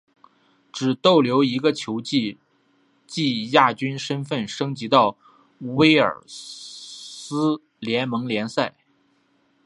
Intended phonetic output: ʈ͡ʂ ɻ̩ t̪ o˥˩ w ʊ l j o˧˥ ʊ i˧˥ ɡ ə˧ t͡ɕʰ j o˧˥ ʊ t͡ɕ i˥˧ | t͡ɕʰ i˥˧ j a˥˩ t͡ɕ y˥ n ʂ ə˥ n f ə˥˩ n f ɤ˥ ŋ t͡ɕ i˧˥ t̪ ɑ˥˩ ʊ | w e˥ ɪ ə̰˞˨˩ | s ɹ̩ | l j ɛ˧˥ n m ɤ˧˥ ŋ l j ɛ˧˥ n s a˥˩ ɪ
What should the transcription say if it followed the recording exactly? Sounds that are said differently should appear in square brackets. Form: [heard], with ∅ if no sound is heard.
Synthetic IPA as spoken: ʈ͡ʂ ɻ̩ t̪ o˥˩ [∅] ʊ l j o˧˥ ʊ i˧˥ ɡ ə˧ t͡ɕʰ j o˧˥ ʊ t͡ɕ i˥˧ | [t͡ɕ] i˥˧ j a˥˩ t͡ɕ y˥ n ʂ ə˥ n f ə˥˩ n [ʂ] ɤ˥ ŋ t͡ɕ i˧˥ t̪ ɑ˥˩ ʊ | w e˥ ɪ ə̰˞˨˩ | s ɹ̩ | l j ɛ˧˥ n m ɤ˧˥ ŋ l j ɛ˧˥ n s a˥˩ ɪ